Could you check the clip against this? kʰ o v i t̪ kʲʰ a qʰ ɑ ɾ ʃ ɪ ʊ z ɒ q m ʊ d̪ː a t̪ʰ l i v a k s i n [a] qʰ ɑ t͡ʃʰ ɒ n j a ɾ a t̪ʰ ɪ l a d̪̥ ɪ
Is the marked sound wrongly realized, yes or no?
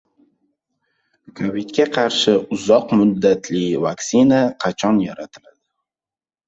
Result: no